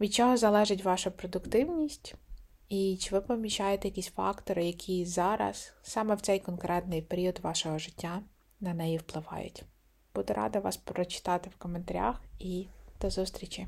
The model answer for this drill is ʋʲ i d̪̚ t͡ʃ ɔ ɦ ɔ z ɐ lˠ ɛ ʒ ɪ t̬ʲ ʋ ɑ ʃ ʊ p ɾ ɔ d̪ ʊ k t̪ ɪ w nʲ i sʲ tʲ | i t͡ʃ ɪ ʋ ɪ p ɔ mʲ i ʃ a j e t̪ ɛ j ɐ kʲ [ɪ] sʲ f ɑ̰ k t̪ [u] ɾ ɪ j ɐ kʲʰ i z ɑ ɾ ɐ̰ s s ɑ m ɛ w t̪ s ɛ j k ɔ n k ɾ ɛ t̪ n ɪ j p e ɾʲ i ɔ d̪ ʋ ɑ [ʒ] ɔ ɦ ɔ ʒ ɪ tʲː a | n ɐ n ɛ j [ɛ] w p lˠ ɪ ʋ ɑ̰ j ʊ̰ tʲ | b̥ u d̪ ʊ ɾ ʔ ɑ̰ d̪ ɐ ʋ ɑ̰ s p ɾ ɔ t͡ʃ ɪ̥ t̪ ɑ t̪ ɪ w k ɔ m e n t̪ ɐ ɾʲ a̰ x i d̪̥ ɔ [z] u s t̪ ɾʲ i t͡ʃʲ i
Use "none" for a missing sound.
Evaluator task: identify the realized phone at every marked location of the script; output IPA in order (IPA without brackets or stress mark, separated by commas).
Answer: i, ɔ, ʃ, i, z